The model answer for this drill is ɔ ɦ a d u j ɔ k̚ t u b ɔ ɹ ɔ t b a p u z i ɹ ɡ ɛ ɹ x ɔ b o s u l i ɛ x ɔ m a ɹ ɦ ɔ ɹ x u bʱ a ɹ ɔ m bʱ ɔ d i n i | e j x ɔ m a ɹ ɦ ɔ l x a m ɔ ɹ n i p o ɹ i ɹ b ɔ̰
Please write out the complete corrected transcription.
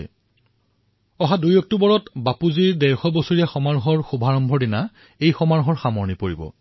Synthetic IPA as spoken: ɔ ɦ a d u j ɔ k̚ t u b ɔ ɹ ɔ t b a p u z i ɹ d ɛ ɹ x ɔ b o s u ɹ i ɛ x ɔ m a ɹ ɦ ɔ ɹ x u bʱ a ɹ ɔ m bʱ ɔ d i n a | e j x ɔ m a ɹ ɦ ɔ ɹ x a m ɔ ɹ n i p o ɹ i b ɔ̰

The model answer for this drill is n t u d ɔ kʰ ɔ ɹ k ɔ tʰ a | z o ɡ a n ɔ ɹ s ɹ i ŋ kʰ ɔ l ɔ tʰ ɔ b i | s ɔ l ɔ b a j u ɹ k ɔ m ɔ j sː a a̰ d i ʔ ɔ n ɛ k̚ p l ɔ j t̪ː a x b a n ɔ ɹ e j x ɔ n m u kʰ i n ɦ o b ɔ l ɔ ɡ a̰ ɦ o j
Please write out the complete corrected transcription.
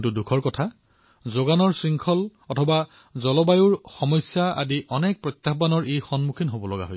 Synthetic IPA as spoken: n t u d u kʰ ɔ ɹ k ɔ tʰ a | z o ɡ a n ɔ ɹ s ɹ i ŋ kʰ ɔ l ɔ tʰ ɔ b a | z ɔ l ɔ b a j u ɹ x ɔ m ɔ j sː a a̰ d i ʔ ɔ n ɛ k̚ p ɹ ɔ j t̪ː a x b a n ɔ ɹ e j x ɔ n m u kʰ i n ɦ o b ɔ l ɔ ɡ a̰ ɦ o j

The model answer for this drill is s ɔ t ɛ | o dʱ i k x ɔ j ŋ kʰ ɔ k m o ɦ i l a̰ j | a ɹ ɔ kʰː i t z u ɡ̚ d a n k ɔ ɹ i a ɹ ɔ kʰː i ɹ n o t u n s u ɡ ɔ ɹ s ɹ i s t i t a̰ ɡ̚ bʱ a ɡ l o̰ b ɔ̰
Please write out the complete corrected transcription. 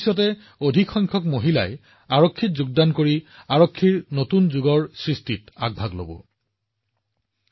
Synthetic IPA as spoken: s ɔ t ɛ | o dʱ i k x ɔ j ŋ kʰ ɔ k m o ɦ i l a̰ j | a ɹ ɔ kʰː i t z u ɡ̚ d a n k o ɹ i a ɹ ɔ kʰː i ɹ n o t u n z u ɡ ɔ ɹ s ɹ i s t i t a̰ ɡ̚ bʱ a ɡ l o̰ b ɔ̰

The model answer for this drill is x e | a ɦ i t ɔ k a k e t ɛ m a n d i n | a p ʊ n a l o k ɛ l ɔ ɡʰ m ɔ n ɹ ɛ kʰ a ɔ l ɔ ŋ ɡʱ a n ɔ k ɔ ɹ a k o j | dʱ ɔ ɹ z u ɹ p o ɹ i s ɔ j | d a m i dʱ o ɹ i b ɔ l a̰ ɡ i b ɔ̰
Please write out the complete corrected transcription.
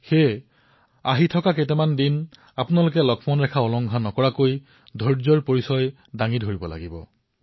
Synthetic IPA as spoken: x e | a ɦ i tʰ ɔ k a k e t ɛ m a n d i n | a p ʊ n a l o k ɛ l ɔ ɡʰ m ɔ n ɹ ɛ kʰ a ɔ l ɔ ŋ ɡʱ a n ɔ k ɔ ɹ a k o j | dʱ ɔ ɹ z ɔ ɹ p o ɹ i s ɔ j | d a ŋ i dʱ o ɹ i b ɔ l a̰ ɡ i b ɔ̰

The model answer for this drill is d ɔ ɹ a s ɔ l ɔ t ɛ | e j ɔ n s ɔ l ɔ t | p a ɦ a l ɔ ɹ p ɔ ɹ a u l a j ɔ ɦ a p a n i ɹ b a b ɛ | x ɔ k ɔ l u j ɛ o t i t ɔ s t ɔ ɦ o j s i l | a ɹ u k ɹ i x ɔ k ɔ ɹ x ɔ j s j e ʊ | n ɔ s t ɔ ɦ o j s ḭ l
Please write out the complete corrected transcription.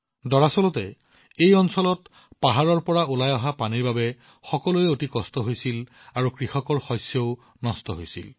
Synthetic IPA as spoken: d ɔ ɹ a s ɔ l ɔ t ɛ | e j ɔ n s ɔ l ɔ t | p a ɦ a ɹ ɔ ɹ p ɔ ɹ a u l a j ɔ ɦ a p a n i ɹ b a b ɛ | x ɔ k ɔ l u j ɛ o t i k ɔ s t ɔ ɦ o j s i l | a ɹ u k ɹ i x ɔ k ɔ ɹ x ɔ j s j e ʊ | n ɔ s t ɔ ɦ o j s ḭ l

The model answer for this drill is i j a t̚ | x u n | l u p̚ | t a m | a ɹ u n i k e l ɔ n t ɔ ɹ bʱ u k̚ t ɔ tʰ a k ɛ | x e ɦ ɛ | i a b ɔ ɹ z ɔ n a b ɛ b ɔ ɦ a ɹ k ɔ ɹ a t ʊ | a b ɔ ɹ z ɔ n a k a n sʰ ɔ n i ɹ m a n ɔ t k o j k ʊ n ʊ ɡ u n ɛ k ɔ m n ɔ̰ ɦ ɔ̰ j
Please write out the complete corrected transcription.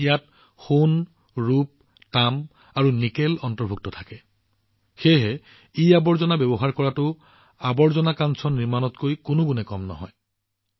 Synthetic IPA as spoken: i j a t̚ | x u n | ɹ u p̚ | t a m | a ɹ u n i k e l ɔ n t ɔ ɹ bʱ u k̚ t ɔ tʰ a k ɛ | x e ɦ ɛ | i a b ɔ ɹ z ɔ n a b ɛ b ɔ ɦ a ɹ k ɔ ɹ a t ʊ | a b ɔ ɹ z ɔ n a k a n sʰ ɔ n i ɹ m a n ɔ t k o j k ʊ n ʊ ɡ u n ɛ k ɔ m n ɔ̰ ɦ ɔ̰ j

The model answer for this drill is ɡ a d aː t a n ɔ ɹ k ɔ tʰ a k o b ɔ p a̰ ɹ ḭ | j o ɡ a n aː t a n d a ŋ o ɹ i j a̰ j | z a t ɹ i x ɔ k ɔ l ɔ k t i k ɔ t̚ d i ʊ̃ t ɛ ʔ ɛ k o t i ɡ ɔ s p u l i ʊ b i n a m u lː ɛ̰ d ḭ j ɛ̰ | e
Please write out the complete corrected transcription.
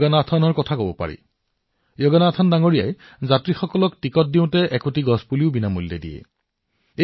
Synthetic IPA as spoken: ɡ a n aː tʰ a n ɔ ɹ k ɔ tʰ a k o b ɔ p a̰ ɹ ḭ | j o ɡ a n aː tʰ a n d a ŋ o ɹ i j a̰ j | z a t ɹ i x ɔ k ɔ l ɔ k t i k ɔ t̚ d i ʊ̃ t ɛ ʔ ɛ k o t i ɡ ɔ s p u l i ʊ b i n a m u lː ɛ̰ d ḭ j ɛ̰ | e

